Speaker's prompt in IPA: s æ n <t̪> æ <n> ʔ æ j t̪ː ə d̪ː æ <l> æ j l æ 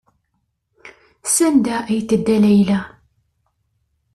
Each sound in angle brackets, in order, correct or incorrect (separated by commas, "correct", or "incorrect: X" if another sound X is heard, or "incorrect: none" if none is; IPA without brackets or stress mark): incorrect: d̪, incorrect: none, correct